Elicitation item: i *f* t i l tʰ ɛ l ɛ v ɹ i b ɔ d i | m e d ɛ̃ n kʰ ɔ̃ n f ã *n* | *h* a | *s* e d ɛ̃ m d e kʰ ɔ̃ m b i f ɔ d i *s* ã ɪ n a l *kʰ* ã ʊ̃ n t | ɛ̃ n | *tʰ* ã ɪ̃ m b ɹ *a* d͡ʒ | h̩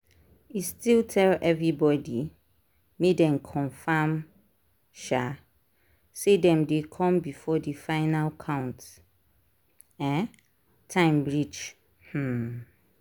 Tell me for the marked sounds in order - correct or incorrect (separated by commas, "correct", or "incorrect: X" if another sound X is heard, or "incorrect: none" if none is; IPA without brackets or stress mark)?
incorrect: s, incorrect: m, incorrect: ʃ, correct, incorrect: f, correct, correct, incorrect: i